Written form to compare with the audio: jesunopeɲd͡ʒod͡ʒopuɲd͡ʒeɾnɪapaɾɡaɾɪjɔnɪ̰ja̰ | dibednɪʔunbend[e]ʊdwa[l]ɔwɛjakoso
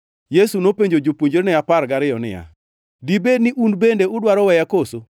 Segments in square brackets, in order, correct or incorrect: correct, incorrect: ɾ

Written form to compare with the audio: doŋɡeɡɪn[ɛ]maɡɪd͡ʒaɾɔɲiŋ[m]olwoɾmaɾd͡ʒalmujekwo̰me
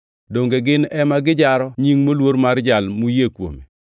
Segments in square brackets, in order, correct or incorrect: correct, correct

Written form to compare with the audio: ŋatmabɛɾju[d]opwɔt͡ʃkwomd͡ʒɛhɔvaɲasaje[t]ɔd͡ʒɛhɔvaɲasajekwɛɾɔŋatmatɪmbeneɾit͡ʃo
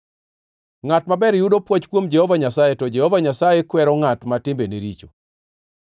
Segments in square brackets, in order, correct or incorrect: correct, correct

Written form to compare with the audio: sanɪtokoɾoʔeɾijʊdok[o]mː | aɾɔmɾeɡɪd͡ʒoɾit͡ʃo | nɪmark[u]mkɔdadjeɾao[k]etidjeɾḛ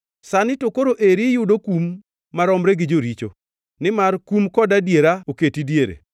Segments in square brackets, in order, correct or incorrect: incorrect: u, correct, correct

